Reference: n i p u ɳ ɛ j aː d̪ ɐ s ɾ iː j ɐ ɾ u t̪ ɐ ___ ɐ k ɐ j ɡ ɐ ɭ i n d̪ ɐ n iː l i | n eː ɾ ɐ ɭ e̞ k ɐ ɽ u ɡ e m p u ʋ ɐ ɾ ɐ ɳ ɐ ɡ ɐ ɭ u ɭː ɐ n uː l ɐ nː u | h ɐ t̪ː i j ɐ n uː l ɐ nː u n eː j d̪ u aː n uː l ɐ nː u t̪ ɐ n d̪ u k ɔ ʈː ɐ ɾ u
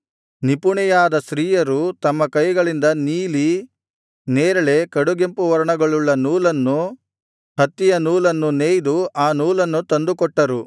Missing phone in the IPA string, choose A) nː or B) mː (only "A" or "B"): B